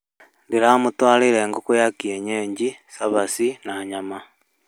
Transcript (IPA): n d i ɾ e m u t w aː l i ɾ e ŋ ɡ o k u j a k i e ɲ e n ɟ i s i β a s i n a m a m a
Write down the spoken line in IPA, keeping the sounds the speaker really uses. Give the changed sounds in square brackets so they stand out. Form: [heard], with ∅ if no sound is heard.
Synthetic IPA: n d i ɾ [a] m u t w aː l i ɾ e ŋ ɡ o k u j a k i e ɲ e [ɲ] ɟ i s [a] β a s i n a [ɲ] a m a